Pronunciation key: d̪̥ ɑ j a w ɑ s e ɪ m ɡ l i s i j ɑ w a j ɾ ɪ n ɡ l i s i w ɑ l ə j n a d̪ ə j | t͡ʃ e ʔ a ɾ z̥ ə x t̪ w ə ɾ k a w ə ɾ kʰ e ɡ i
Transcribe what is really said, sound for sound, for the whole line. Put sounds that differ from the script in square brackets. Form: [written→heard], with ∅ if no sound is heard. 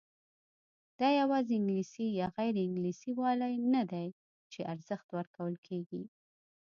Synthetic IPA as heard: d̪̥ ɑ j a w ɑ [s→z] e ɪ [m→ŋ] ɡ l i s i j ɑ [w→ɣ] a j ɾ ɪ [n→ŋ] ɡ l i s i w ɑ l [ə→a] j n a d̪ [ə→a] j | t͡ʃ e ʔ a ɾ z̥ ə x t̪ w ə ɾ k a w ə [ɾ→l] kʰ e ɡ i